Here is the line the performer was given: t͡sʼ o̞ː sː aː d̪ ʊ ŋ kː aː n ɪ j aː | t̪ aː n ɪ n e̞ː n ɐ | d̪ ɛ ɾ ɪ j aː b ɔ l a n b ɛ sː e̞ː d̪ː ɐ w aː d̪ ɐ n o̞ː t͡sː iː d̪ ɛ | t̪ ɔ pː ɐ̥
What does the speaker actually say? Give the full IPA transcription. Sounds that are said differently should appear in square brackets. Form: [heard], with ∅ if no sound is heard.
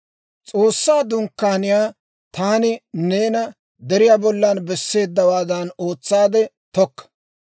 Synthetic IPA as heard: t͡sʼ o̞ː sː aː d̪ ʊ ŋ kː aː n ɪ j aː | t̪ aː n ɪ n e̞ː n ɐ | d̪ ɛ ɾ ɪ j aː b ɔ [lː] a n b ɛ sː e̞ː d̪ː ɐ w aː d̪ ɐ n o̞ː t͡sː [aː] d̪ ɛ | t̪ ɔ [kː] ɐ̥